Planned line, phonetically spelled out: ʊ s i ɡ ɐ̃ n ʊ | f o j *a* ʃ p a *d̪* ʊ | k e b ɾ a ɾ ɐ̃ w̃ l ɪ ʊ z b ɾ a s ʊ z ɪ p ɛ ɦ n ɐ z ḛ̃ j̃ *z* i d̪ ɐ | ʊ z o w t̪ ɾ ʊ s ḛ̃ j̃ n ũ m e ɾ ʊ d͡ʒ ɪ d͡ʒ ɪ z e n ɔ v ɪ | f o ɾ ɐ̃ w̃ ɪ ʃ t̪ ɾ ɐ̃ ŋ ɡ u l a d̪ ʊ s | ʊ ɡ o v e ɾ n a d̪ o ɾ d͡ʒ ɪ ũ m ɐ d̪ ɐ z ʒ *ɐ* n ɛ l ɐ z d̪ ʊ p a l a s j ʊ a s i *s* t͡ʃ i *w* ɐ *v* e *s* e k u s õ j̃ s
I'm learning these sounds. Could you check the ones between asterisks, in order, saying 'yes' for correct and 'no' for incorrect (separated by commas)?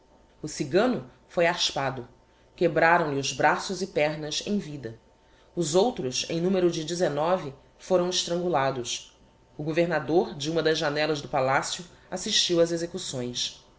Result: yes, yes, no, no, no, yes, no, no